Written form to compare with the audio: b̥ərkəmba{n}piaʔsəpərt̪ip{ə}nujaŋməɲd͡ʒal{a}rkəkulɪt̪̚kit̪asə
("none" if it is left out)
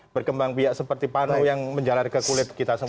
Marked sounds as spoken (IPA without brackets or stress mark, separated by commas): ŋ, a, a